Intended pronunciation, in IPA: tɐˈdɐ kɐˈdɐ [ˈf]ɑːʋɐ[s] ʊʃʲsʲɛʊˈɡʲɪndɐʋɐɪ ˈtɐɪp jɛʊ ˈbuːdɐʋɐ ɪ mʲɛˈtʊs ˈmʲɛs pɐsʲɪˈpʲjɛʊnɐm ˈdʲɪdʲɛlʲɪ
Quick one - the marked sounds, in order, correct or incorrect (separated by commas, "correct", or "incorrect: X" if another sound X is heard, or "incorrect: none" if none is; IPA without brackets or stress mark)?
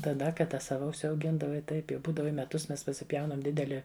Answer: incorrect: s, incorrect: none